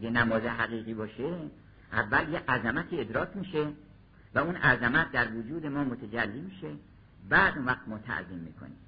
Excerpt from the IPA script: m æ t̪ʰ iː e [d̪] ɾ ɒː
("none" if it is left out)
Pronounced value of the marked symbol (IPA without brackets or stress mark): d̪